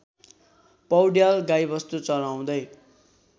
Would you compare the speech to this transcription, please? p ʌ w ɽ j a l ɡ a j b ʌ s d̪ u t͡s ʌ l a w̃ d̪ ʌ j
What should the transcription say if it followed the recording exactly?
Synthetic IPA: p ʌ w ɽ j a l ɡ a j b ʌ s t̪ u t͡s ʌ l a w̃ d̪ ʌ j